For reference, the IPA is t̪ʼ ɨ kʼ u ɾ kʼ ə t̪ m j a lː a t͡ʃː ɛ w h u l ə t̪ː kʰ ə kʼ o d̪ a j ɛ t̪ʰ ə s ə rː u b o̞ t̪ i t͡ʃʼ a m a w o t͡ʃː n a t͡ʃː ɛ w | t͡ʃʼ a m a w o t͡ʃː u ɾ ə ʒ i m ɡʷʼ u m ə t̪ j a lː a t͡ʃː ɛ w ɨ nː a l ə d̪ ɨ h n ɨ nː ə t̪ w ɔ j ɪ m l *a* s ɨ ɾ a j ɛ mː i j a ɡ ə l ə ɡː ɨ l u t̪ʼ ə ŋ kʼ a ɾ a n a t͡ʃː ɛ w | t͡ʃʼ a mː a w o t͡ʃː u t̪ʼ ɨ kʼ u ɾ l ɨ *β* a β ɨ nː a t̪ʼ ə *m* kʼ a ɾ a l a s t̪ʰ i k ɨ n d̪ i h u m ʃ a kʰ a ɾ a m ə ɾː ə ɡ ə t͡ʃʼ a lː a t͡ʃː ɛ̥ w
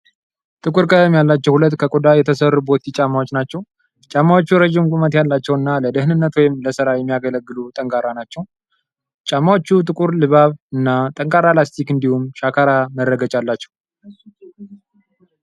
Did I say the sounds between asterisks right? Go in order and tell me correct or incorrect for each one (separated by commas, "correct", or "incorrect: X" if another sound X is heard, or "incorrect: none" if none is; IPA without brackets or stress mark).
incorrect: ə, correct, incorrect: ŋ